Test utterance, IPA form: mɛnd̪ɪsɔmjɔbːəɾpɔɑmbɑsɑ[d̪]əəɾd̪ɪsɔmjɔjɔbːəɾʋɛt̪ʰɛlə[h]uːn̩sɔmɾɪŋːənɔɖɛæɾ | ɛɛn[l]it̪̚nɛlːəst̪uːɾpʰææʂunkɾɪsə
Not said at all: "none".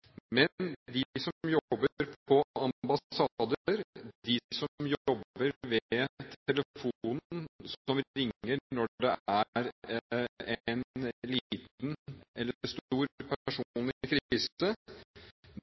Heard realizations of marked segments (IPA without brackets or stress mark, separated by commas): d̪, f, l